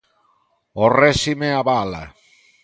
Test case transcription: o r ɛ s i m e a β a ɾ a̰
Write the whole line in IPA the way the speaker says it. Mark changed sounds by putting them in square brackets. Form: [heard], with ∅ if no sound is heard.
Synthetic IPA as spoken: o r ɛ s i m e a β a [l] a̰